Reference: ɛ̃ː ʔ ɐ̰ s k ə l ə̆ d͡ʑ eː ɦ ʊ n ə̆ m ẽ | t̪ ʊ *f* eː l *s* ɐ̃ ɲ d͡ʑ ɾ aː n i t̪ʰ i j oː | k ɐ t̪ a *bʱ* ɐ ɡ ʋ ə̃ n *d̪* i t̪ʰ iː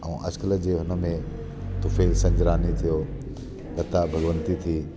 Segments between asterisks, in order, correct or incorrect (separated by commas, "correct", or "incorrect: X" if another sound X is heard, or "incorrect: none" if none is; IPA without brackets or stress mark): correct, correct, correct, incorrect: t̪